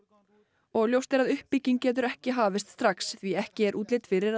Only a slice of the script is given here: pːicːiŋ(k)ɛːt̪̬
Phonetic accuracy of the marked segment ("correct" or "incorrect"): incorrect